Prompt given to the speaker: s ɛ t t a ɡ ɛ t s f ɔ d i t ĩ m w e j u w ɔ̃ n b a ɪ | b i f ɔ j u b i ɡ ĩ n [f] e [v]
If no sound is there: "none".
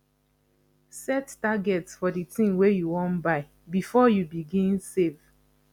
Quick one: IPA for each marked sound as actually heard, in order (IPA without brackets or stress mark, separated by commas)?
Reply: s, v